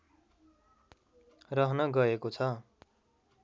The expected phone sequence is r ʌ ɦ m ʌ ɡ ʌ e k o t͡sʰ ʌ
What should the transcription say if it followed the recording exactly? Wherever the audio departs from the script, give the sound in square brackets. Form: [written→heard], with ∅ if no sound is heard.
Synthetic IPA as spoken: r ʌ ɦ [m→n] ʌ ɡ ʌ e k o t͡sʰ ʌ